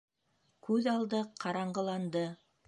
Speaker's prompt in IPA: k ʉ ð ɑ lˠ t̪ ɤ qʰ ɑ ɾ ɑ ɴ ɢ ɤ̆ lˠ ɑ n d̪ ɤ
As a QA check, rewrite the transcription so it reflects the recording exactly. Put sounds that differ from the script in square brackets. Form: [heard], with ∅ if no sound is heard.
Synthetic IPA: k ʉ ð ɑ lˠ [d̪] ɤ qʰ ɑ ɾ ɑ ɴ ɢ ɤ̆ lˠ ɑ n d̪ ɤ